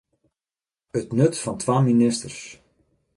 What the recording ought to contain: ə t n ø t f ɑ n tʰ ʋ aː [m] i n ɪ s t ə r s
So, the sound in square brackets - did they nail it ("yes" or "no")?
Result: yes